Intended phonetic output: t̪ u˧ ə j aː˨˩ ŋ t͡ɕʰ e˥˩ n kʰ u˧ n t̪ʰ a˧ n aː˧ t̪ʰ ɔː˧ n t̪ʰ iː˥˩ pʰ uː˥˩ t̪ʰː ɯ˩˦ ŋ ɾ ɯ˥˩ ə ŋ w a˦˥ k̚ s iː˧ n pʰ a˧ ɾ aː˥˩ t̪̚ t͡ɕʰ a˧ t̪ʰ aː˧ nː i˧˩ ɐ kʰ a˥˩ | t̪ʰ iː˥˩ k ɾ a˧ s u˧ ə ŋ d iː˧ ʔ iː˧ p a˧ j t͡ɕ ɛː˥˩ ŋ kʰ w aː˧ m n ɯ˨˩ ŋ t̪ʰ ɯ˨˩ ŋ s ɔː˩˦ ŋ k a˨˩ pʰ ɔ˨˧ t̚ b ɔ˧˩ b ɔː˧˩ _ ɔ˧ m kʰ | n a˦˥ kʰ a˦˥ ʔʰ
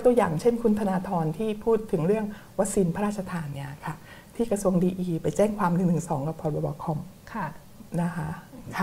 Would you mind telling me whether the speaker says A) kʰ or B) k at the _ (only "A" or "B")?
A